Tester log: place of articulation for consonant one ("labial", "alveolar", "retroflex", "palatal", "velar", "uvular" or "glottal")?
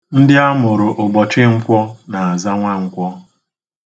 alveolar